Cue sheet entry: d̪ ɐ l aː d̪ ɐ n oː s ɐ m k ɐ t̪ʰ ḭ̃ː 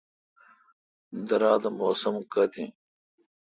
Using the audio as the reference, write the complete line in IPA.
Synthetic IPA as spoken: d̪ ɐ ɾ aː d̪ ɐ m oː s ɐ m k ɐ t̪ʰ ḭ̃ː